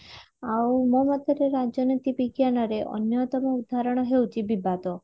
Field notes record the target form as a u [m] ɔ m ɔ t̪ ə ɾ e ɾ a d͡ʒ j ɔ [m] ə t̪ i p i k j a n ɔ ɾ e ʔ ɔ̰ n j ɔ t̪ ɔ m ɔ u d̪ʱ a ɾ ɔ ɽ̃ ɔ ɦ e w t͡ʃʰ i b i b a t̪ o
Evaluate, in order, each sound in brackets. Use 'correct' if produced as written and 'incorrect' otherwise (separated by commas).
correct, incorrect